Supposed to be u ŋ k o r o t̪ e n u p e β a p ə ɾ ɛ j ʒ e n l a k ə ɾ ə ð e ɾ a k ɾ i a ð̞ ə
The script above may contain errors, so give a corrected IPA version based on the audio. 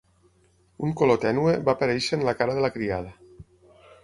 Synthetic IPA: u ŋ k o l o t̪ ɛ n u e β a p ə ɾ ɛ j ʃ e n l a k a ɾ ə ð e l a k ɾ i a ð̞ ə